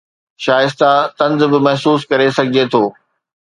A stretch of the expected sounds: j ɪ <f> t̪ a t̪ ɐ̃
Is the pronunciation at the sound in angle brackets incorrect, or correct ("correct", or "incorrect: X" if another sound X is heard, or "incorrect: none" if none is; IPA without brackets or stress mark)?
incorrect: s